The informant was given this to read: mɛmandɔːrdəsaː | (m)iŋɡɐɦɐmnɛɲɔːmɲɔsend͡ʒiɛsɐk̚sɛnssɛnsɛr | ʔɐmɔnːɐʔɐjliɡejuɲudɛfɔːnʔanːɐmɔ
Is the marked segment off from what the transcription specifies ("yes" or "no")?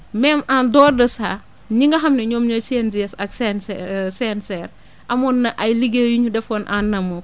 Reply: yes